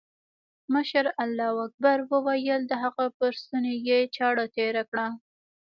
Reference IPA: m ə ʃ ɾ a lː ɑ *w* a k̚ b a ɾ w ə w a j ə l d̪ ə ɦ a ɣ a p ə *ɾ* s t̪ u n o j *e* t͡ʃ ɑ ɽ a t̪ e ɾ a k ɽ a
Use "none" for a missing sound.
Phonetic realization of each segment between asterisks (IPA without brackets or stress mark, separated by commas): w, ɾ, e